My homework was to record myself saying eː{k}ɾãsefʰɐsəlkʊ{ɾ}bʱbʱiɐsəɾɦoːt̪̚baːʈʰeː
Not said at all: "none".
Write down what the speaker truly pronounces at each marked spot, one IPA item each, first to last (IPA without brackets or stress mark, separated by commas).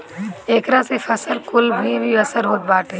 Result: k, l